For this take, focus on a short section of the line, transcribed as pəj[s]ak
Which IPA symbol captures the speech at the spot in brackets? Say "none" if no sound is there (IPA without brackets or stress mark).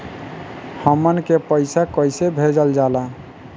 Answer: s